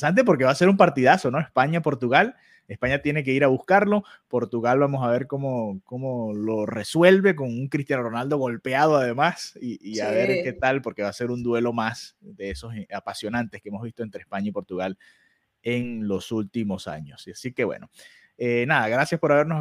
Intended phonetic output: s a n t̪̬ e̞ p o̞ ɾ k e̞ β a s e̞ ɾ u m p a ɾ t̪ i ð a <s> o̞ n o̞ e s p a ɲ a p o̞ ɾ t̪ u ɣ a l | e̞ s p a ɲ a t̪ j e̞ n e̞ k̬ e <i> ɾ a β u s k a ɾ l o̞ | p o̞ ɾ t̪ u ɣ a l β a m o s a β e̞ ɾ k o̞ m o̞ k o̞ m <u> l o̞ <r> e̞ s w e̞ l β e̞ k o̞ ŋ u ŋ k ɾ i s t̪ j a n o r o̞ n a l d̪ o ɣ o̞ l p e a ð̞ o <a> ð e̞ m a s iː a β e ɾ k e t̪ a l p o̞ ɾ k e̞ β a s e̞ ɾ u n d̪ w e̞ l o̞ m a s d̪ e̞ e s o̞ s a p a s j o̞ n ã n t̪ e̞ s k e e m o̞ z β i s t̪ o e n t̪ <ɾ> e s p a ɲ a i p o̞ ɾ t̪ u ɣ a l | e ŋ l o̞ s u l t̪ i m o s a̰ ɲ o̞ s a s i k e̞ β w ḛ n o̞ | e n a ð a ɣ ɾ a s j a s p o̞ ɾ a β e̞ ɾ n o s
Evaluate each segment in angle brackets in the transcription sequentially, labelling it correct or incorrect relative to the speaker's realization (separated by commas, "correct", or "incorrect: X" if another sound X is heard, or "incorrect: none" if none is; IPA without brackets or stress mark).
correct, correct, incorrect: o, correct, correct, correct